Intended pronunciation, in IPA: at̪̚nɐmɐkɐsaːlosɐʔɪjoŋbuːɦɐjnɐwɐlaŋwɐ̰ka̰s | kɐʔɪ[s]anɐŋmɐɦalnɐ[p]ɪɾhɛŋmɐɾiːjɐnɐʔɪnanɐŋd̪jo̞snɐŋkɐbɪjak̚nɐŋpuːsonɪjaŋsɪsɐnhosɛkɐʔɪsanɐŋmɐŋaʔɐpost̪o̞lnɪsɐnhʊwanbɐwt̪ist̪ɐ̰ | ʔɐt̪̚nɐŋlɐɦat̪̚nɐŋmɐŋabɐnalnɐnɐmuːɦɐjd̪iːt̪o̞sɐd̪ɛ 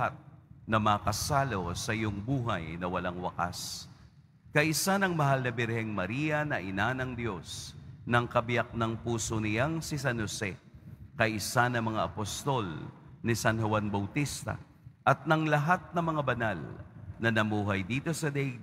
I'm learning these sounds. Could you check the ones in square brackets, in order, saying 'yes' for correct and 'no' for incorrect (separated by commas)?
yes, no